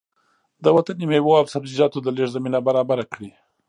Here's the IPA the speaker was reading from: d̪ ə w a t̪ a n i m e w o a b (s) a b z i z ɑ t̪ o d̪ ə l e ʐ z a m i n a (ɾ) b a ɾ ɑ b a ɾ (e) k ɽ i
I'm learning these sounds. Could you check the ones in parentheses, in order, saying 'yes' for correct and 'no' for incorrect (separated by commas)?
yes, no, no